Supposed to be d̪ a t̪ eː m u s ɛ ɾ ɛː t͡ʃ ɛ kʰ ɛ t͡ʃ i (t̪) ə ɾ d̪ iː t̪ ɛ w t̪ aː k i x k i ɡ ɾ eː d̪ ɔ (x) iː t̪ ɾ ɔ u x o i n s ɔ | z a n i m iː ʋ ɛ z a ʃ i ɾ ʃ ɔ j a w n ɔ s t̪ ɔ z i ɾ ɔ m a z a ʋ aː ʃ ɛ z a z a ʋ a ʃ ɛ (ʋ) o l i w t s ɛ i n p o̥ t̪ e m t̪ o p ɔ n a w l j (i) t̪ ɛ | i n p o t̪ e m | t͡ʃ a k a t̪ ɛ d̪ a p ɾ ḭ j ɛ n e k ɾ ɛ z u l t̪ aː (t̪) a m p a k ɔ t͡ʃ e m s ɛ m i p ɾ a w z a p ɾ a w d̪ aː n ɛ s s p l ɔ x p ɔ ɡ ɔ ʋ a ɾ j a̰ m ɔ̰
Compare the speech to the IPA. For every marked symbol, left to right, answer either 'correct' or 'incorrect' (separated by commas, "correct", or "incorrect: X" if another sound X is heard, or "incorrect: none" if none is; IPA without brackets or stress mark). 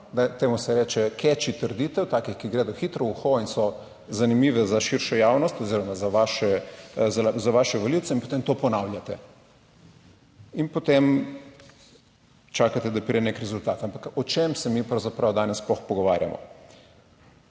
correct, correct, correct, incorrect: a, correct